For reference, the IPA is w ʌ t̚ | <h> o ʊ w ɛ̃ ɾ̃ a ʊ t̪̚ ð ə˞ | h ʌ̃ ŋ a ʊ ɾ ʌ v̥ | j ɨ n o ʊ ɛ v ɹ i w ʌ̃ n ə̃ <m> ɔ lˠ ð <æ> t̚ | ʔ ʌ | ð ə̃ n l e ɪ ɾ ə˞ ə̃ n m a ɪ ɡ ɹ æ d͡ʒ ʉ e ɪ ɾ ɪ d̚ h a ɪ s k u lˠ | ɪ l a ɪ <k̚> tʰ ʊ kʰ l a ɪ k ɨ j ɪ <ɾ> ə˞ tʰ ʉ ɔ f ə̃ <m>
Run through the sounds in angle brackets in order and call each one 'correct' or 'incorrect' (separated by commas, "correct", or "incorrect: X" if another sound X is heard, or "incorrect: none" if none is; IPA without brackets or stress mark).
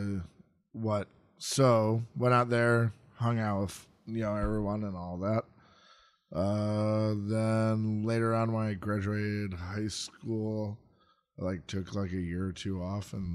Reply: incorrect: s, incorrect: n, correct, correct, incorrect: ɹ, incorrect: n